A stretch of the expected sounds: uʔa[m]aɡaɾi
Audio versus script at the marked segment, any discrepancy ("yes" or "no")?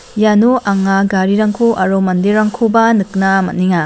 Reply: yes